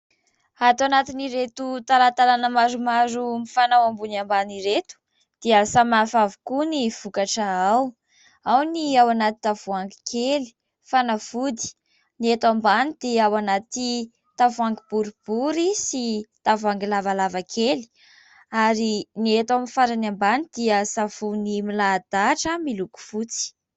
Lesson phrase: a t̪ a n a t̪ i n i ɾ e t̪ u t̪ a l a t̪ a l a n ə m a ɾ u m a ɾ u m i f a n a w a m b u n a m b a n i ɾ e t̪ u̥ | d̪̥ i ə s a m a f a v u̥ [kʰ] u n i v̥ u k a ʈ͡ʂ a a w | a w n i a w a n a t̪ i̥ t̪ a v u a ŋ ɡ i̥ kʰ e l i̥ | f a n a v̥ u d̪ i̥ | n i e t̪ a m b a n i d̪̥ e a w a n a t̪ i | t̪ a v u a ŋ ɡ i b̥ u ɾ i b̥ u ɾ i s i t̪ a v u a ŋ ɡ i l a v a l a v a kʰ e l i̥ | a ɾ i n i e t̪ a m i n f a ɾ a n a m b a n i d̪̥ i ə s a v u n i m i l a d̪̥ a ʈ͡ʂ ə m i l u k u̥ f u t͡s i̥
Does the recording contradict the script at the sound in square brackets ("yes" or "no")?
yes